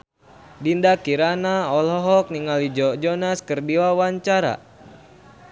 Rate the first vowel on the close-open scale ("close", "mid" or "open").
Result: close